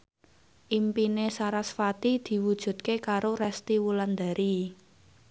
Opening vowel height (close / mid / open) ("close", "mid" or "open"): close